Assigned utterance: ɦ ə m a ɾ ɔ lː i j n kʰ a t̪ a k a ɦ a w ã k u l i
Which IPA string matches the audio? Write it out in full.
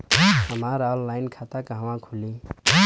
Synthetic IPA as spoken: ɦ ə m a ɾ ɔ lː a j n kʰ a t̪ a k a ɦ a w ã kʰ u l i